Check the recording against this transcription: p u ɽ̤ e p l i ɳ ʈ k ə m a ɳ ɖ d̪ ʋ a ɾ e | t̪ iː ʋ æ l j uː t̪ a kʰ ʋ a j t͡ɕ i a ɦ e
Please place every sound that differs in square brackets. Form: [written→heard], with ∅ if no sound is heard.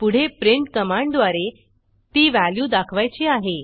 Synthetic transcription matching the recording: p u ɽ̤ e p [l→ɾ] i ɳ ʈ k ə m a ɳ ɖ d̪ ʋ a ɾ e | t̪ iː ʋ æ l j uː [t̪→d̪] a kʰ ʋ a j t͡ɕ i a ɦ e